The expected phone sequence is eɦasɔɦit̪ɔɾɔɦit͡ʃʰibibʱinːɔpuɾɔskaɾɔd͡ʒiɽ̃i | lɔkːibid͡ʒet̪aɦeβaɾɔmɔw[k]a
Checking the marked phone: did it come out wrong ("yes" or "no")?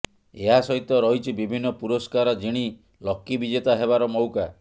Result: no